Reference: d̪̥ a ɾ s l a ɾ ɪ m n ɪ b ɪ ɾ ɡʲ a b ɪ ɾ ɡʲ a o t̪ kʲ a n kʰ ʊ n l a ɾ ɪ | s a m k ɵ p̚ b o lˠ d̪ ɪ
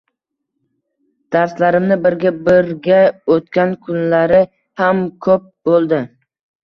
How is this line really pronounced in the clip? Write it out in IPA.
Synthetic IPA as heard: d̪̥ a ɾ s l a ɾ ɪ m n ɪ b ɪ ɾ ɡʲ a b ɪ ɾ ɡʲ a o t̪ kʲ a n kʰ ʊ n l a ɾ ɪ | h a m kʰ ɵ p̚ b o lˠ d̪ ɪ